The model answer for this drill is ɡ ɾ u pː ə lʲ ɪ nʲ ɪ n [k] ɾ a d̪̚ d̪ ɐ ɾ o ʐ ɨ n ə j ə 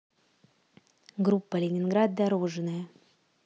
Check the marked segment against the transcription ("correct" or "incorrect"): incorrect